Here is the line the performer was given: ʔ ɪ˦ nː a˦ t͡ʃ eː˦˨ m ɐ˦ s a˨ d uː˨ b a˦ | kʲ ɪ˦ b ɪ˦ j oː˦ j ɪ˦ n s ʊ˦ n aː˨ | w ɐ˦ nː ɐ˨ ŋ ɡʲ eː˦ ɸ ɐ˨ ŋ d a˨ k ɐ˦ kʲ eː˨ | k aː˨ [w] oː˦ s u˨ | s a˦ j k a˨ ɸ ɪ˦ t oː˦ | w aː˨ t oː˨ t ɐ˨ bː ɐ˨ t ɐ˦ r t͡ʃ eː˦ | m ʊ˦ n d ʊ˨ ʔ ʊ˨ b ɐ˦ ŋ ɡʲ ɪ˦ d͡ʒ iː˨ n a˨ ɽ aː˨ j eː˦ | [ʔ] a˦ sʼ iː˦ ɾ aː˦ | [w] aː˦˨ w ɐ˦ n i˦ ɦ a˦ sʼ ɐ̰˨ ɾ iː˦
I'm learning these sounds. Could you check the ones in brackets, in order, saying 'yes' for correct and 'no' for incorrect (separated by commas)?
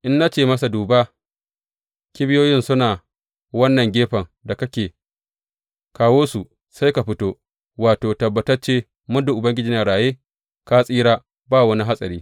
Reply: yes, no, no